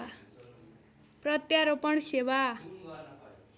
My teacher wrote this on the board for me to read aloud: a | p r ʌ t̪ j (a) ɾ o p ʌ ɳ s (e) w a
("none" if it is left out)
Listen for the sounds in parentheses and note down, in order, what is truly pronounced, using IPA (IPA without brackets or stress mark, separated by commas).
a, e